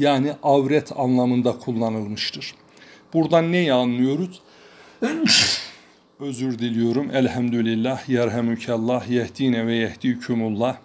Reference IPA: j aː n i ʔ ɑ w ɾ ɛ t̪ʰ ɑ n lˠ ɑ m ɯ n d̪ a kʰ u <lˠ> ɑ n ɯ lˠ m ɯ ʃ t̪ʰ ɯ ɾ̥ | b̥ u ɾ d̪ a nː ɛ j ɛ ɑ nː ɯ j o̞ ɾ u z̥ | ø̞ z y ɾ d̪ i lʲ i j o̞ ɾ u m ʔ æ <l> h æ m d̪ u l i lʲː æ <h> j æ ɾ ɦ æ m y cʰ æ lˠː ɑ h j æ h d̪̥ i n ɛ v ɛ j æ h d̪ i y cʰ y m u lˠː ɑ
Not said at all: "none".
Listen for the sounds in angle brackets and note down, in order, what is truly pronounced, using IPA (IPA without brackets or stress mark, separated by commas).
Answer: lˠː, l, h